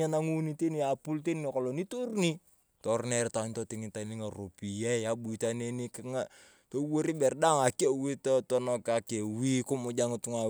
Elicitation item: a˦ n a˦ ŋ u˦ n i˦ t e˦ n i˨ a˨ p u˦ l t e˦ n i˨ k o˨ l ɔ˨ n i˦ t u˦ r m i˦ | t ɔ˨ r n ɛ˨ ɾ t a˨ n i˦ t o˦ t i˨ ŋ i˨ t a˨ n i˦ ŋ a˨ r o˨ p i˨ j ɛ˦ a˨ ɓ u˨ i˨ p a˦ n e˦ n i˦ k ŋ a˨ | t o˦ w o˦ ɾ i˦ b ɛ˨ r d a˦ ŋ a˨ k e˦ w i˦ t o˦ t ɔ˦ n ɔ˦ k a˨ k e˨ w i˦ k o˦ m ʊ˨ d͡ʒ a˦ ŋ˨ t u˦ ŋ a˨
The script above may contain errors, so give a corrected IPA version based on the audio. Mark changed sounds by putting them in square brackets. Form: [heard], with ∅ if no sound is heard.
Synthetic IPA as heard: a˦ n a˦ ŋ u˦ n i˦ t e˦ n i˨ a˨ p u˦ l t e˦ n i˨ k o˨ l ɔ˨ n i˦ t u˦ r [n] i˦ | t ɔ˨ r n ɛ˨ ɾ t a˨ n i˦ t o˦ t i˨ ŋ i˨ t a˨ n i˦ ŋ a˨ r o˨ p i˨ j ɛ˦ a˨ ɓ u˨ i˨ [t] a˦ n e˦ n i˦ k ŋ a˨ | t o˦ w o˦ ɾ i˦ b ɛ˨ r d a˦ ŋ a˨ k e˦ w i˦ t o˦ t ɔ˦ n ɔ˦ k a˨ k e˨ w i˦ k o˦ m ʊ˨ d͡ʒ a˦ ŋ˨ t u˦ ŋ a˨

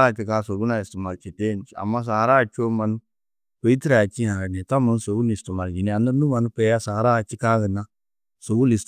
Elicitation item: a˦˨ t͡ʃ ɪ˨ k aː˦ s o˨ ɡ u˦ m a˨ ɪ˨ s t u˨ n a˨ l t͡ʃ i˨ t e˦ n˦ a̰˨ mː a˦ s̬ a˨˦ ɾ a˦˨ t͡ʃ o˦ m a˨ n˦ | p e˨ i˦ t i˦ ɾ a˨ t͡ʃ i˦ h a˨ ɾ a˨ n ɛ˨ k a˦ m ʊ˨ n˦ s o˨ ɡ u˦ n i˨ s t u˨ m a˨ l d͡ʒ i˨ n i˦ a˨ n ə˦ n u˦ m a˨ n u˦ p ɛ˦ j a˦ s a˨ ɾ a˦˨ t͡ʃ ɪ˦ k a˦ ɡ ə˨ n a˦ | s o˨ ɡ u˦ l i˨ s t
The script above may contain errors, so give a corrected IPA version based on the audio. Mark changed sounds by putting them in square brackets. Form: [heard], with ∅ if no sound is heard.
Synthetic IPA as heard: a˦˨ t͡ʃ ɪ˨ k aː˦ s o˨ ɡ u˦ [n] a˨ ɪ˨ s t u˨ [m] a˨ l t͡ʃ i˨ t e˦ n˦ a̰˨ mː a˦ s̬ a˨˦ ɾ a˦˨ t͡ʃ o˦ m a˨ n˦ | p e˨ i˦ t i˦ ɾ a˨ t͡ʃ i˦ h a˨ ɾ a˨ n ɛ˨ [t] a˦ m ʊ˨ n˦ s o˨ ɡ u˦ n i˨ s t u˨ m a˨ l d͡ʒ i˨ n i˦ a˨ n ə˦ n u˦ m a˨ n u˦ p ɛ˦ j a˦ s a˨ ɾ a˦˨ t͡ʃ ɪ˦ k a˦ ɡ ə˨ n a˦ | s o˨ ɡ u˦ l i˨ s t

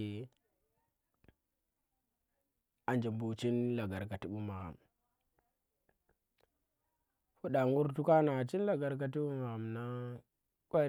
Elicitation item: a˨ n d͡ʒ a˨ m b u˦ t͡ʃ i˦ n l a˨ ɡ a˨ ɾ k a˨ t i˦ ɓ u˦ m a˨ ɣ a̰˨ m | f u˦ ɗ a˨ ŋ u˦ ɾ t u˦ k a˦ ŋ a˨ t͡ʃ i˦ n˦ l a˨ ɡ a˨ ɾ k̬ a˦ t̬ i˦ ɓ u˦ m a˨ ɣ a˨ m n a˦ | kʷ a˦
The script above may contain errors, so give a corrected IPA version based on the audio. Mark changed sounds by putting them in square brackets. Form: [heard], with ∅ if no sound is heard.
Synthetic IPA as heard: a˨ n d͡ʒ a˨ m b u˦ t͡ʃ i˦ n l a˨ ɡ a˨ ɾ k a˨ t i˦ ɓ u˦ m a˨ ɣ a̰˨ m | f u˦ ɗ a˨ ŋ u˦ ɾ t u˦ k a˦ [n] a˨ t͡ʃ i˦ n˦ l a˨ ɡ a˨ ɾ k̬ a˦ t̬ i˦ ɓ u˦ m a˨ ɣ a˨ m n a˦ | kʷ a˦

